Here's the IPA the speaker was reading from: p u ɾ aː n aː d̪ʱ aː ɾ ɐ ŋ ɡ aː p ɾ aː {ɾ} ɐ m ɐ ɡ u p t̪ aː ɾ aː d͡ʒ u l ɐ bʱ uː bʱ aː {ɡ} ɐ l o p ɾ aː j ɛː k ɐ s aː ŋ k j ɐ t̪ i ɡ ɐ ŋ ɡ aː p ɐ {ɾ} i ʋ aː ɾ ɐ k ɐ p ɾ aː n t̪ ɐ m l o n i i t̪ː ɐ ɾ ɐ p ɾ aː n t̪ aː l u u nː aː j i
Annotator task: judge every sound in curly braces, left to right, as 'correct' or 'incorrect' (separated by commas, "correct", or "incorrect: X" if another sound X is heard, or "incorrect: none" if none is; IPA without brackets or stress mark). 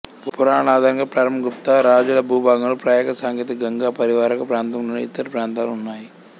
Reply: correct, correct, correct